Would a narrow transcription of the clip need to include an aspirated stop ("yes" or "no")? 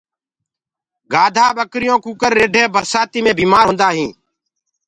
no